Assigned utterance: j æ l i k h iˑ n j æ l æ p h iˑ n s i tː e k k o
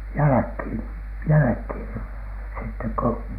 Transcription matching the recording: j æ l æ k h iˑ n j æ l æ k h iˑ n s i tː e k k o